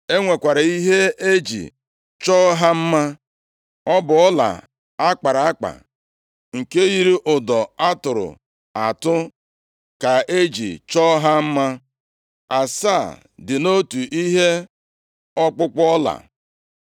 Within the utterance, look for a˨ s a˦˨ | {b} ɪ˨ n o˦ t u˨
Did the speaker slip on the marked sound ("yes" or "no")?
yes